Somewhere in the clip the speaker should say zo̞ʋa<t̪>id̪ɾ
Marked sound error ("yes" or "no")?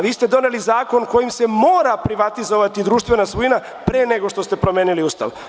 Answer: no